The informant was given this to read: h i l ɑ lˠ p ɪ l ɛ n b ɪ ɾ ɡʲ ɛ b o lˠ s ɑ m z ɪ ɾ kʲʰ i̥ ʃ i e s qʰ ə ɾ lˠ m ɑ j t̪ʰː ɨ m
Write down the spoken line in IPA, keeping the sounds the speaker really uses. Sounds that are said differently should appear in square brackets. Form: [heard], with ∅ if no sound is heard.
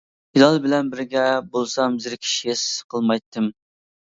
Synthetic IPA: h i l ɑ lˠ [b] ɪ l ɛ n b ɪ ɾ ɡʲ ɛ b o lˠ s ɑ m z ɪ ɾ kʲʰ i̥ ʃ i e s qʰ ə [∅] lˠ m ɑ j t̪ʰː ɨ m

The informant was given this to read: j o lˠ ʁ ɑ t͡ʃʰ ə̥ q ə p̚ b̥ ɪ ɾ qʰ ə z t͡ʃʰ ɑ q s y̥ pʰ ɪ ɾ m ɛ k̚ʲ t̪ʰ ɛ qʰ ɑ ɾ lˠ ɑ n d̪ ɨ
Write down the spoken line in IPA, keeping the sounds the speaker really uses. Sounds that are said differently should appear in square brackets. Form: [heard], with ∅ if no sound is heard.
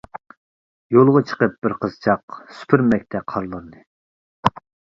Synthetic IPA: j o lˠ ʁ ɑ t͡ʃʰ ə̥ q ə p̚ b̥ ɪ ɾ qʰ ə z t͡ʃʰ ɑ q s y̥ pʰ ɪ ɾ m ɛ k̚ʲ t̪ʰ ɛ qʰ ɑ ɾ lˠ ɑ n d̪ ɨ

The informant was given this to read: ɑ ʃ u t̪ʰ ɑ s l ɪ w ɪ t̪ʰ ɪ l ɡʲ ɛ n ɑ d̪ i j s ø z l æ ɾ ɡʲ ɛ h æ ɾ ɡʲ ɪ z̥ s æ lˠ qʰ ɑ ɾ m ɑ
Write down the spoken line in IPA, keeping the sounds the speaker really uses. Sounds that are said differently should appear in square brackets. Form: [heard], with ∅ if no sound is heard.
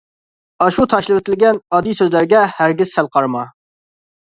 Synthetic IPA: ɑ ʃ u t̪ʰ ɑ [ʃ] l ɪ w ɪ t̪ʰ ɪ l ɡʲ ɛ n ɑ d̪ i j s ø z l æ ɾ ɡʲ ɛ h æ ɾ ɡʲ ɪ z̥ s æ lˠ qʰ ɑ ɾ m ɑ

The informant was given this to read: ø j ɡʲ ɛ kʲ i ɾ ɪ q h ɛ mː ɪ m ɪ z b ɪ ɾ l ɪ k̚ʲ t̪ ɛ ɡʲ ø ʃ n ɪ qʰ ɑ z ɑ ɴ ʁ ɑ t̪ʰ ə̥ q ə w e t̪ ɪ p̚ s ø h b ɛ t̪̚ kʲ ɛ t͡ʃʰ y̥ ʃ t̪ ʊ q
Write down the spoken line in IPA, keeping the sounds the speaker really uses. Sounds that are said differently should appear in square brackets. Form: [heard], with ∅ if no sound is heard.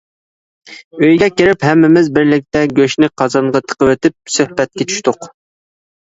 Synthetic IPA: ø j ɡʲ ɛ kʲ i ɾ ɪ [p] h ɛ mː ɪ m ɪ z b ɪ ɾ l ɪ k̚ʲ t̪ ɛ ɡʲ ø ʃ n ɪ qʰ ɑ z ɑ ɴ ʁ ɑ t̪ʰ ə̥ q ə w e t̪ ɪ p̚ s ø h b ɛ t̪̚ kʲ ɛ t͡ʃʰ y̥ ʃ t̪ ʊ q

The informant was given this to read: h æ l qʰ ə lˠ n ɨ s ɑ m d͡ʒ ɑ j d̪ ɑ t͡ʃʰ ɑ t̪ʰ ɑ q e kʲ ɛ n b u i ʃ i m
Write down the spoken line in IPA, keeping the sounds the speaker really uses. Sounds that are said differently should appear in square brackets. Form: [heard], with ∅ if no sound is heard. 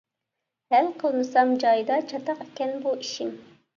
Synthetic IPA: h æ l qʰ ə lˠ n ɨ s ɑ m d͡ʒ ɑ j d̪ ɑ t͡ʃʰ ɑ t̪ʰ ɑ q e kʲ ɛ n b u i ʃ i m

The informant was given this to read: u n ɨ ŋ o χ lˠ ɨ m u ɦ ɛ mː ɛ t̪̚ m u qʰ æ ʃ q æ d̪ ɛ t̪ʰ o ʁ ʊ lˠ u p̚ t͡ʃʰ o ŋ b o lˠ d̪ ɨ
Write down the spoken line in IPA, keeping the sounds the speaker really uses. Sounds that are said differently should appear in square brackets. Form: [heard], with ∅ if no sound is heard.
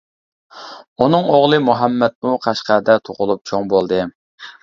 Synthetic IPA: u n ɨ ŋ o [ʁ] lˠ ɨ m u ɦ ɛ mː ɛ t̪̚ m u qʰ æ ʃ q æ d̪ ɛ t̪ʰ o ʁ ʊ lˠ u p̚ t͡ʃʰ o ŋ b o lˠ d̪ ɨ

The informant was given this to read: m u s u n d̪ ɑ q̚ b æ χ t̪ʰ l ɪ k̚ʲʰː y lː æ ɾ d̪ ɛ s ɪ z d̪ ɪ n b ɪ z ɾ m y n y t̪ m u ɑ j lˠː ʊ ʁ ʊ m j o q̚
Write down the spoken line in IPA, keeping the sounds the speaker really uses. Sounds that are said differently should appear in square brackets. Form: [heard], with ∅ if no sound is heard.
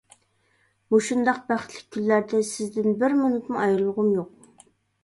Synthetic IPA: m u [ʃ] u n d̪ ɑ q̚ b æ χ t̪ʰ l ɪ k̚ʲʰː y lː æ ɾ d̪ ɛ s ɪ z d̪ ɪ n b ɪ [∅] ɾ m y n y t̪ m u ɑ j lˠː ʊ ʁ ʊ m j o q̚

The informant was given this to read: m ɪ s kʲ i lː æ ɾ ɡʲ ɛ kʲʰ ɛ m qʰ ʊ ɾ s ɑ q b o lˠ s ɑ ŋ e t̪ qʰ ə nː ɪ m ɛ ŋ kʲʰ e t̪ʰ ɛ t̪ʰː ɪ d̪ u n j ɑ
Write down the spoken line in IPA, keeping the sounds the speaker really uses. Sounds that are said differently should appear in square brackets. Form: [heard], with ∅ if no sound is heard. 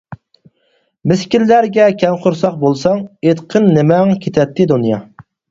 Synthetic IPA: m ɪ s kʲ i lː æ ɾ ɡʲ ɛ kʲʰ ɛ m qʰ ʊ ɾ s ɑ q b o lˠ s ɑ ŋ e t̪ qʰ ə nː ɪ m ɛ ŋ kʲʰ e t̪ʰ ɛ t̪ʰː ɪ d̪ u n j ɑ

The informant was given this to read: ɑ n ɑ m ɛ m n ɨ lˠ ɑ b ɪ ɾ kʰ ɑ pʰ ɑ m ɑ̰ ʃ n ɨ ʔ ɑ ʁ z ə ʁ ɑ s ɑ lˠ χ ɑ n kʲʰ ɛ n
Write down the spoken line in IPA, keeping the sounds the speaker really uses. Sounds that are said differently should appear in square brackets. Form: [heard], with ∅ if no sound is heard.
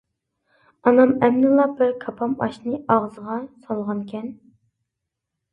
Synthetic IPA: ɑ n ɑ m ɛ m n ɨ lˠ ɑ b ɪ ɾ kʰ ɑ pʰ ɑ m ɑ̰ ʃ n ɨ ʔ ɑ ʁ z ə ʁ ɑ s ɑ lˠ [ʁ] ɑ n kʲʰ ɛ n

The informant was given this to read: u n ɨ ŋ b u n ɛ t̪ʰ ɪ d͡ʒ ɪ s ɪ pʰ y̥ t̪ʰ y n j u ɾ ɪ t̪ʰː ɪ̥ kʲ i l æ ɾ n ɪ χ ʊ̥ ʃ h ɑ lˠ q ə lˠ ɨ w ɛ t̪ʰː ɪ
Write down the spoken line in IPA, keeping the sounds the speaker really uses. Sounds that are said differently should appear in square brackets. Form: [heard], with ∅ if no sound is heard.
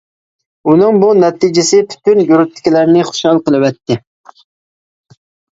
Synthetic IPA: u n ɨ ŋ b u n ɛ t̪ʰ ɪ d͡ʒ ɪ s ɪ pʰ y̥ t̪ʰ y n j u ɾ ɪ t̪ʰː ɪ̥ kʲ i l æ ɾ n ɪ χ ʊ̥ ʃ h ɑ lˠ q ə lˠ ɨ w ɛ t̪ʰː ɪ

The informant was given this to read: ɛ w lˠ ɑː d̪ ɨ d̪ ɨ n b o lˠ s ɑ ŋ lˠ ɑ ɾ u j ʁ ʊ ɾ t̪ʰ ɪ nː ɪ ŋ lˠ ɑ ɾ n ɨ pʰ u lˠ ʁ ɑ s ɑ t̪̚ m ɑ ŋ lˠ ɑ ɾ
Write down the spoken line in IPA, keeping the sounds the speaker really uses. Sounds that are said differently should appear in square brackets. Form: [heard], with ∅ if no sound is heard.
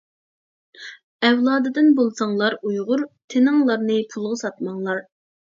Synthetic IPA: ɛ w lˠ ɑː d̪ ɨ d̪ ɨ n b o lˠ s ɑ ŋ lˠ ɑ ɾ u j ʁ ʊ ɾ t̪ʰ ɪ [n] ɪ ŋ lˠ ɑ ɾ n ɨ pʰ u lˠ ʁ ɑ s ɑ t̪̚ m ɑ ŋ lˠ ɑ ɾ

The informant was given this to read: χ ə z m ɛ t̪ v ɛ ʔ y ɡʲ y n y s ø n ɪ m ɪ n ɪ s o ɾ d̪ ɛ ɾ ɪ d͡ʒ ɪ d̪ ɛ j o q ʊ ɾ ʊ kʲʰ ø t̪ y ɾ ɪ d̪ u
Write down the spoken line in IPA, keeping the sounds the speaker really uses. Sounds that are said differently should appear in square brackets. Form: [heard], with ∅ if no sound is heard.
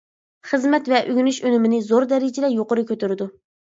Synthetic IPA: χ ə z m ɛ t̪ v ɛ ʔ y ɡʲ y n y [ʃ] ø n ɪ m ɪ n ɪ [z] o ɾ d̪ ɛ ɾ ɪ d͡ʒ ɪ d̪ ɛ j o q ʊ ɾ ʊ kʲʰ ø t̪ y ɾ ɪ d̪ u

